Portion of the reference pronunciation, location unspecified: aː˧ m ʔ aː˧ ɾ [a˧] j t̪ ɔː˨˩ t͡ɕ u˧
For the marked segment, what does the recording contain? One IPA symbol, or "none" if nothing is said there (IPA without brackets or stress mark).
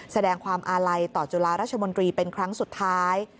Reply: a˧